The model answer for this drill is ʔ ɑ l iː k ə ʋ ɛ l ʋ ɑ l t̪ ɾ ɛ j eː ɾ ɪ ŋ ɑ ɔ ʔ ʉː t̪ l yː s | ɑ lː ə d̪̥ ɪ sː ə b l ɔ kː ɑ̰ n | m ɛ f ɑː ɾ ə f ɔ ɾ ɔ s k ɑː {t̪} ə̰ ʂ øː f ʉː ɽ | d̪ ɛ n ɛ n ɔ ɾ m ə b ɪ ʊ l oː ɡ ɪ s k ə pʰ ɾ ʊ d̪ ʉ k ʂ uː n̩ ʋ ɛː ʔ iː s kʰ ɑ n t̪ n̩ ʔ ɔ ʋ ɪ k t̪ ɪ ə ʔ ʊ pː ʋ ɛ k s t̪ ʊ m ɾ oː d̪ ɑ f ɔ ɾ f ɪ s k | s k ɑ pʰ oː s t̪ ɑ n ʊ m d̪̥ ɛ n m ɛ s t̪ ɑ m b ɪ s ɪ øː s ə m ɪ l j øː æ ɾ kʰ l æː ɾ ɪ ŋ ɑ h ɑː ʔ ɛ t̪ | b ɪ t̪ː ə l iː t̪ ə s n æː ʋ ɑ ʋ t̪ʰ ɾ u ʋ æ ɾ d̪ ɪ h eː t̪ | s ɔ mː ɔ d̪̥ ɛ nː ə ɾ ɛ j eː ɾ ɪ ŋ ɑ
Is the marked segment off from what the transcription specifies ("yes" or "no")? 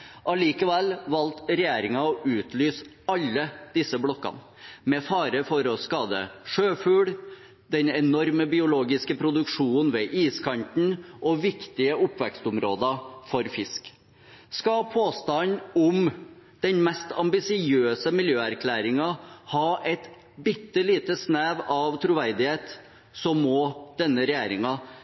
yes